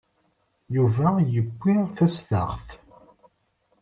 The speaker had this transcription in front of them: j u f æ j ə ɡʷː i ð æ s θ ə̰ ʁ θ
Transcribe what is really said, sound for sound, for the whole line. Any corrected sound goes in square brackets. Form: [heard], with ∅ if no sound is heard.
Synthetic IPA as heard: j u [v] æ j ə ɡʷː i [θ] æ s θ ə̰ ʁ θ